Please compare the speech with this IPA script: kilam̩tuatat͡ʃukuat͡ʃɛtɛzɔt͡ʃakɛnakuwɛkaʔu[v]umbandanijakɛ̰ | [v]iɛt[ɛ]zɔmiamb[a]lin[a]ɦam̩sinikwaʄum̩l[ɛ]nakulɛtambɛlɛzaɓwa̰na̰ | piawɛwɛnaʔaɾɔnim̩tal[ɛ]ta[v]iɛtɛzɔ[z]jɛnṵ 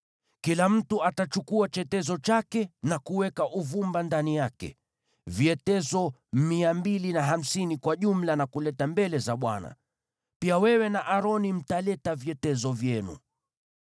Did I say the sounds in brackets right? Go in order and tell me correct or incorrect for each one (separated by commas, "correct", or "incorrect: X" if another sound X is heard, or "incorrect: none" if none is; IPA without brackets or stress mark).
correct, correct, correct, incorrect: i, correct, incorrect: a, correct, correct, incorrect: v